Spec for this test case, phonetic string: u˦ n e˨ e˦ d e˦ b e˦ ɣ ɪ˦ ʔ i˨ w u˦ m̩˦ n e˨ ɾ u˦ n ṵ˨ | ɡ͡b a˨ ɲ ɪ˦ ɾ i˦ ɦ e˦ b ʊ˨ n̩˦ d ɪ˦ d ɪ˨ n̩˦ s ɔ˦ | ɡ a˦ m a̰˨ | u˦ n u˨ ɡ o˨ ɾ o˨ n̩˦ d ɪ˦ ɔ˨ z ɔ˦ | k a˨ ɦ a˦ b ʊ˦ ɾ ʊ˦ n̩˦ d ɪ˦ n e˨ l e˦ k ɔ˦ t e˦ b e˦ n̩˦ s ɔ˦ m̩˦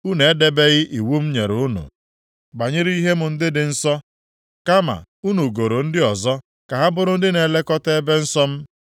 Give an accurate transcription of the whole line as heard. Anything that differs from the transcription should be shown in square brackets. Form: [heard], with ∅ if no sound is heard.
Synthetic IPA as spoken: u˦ n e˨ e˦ d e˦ b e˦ ɣ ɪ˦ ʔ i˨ w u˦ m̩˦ [ɲ] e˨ ɾ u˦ n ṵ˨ | ɡ͡b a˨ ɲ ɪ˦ ɾ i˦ ɦ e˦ [m] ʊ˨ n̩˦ d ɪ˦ d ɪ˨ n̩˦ s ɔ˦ | [k] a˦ m a̰˨ | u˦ n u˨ ɡ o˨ ɾ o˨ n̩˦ d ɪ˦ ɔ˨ z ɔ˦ | k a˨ ɦ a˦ b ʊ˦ ɾ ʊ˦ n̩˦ d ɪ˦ n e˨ l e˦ k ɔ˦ t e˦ b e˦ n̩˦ s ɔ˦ m̩˦